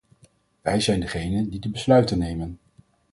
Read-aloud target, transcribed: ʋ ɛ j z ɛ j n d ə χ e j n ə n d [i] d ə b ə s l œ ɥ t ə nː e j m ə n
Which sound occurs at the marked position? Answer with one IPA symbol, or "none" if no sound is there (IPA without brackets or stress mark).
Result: i